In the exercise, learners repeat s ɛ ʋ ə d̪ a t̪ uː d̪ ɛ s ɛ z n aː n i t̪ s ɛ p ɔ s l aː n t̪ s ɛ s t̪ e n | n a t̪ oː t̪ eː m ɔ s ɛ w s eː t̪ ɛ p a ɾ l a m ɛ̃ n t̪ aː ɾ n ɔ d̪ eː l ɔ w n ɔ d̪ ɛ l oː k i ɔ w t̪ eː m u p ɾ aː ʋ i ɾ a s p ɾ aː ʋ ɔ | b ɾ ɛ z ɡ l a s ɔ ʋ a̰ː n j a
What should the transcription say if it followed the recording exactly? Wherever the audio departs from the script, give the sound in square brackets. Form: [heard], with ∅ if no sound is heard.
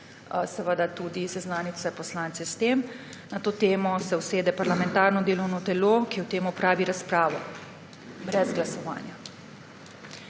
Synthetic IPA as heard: s ɛ ʋ ə d̪ a t̪ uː d̪ [i] s ɛ z n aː n i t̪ s ɛ p ɔ s l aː n t̪ s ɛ s t̪ e [m] | n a t̪ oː t̪ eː m ɔ s ɛ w s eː [d̪] ɛ p a ɾ l a m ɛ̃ n t̪ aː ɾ n ɔ d̪ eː l ɔ w n ɔ [t̪] ɛ l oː k i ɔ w t̪ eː m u p ɾ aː ʋ i ɾ a s p ɾ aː ʋ ɔ | b ɾ ɛ z ɡ l a s ɔ ʋ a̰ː n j a